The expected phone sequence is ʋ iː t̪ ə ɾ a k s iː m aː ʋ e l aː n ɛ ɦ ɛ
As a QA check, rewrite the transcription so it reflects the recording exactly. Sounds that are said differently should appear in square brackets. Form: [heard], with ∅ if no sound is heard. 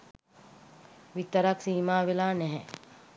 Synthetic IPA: ʋ [i] t̪ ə ɾ a k s iː m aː ʋ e l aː n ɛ ɦ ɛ